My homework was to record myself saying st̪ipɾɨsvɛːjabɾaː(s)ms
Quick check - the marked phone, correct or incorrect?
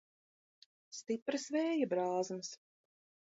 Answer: incorrect